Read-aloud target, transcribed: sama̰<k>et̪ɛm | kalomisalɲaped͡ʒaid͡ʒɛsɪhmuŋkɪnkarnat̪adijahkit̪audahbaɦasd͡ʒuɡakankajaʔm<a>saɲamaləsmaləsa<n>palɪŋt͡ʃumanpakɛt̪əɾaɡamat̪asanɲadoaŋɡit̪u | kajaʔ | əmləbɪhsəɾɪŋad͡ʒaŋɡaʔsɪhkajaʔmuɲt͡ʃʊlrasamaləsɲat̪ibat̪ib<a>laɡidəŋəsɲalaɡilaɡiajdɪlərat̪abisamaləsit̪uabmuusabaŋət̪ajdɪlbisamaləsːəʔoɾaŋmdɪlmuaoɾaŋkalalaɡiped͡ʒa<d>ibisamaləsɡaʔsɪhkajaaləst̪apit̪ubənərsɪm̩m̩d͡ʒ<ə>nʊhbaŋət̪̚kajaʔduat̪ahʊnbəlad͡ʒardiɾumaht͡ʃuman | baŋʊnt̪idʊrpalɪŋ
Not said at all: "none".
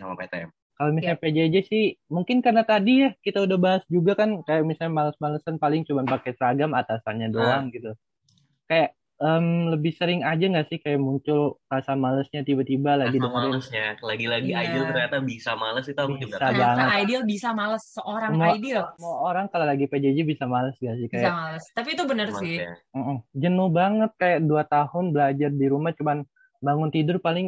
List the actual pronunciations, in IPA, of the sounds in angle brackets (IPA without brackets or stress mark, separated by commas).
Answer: p, i, n, a, d͡ʒ, ə